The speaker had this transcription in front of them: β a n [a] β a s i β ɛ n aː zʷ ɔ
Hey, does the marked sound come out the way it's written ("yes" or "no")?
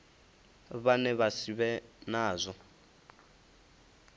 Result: no